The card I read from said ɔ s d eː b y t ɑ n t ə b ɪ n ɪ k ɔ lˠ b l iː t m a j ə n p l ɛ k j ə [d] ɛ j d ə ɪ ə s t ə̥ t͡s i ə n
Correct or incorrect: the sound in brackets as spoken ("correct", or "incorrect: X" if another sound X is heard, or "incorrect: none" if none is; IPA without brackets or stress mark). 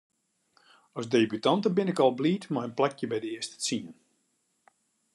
incorrect: b